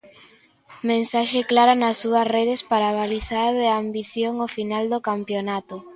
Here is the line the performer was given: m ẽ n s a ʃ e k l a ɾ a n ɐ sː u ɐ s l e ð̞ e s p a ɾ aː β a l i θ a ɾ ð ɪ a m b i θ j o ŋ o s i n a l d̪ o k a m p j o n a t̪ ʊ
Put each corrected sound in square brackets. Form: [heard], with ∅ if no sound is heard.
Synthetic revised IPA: m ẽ n s a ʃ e k l a ɾ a n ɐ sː u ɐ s [r] e ð̞ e s p a ɾ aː β a l i θ a ɾ ð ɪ a m b i θ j o ŋ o [f] i n a l d̪ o k a m p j o n a t̪ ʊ